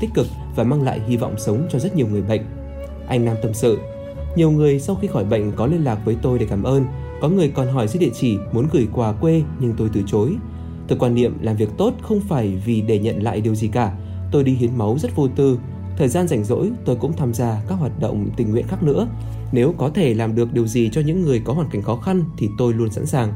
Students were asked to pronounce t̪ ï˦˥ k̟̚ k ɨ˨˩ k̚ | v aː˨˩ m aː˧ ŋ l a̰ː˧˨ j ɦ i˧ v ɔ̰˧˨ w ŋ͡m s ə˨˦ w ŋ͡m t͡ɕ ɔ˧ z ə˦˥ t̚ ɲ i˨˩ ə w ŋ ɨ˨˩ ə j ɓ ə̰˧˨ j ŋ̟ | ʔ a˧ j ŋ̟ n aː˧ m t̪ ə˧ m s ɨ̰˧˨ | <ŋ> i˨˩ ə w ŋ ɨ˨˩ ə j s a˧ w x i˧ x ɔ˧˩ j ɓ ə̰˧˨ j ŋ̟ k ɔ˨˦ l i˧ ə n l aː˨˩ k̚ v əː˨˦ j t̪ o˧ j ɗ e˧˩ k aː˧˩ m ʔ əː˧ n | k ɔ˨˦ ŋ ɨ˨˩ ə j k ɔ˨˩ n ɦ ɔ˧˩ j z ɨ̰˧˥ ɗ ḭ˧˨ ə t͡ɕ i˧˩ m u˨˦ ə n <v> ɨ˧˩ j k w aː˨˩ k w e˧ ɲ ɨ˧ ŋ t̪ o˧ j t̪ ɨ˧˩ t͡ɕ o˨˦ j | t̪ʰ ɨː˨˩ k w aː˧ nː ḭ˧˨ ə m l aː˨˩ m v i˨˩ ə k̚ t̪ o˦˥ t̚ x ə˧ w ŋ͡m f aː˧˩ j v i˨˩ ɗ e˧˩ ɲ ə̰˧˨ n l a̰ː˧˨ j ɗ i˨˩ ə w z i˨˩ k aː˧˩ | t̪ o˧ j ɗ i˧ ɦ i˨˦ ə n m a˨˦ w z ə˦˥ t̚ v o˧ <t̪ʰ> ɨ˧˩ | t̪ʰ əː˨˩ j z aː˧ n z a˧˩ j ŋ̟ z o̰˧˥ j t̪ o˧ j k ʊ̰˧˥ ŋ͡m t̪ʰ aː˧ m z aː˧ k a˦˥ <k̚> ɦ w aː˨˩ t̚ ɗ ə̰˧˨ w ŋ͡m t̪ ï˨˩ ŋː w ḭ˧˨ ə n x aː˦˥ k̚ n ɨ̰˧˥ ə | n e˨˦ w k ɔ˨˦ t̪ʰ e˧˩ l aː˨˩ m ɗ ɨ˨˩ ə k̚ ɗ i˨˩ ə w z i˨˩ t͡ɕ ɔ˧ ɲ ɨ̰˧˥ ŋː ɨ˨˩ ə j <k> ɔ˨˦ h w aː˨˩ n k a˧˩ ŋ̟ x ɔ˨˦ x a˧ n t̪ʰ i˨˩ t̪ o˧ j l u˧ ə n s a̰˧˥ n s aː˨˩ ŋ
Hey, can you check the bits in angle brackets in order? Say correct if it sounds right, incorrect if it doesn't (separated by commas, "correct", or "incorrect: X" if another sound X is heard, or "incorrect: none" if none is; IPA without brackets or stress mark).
incorrect: ɲ, incorrect: ɣ, incorrect: t̪, correct, correct